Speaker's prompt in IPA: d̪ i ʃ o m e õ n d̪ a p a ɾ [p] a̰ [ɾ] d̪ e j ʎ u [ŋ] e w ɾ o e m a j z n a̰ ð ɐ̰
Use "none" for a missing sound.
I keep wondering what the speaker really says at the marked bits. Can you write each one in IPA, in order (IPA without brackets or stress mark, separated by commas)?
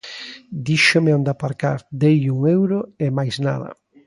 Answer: k, ɾ, ŋ